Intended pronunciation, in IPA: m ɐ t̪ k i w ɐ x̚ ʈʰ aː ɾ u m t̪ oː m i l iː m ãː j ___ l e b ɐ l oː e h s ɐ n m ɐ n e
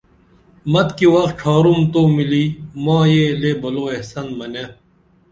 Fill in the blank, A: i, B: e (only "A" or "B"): B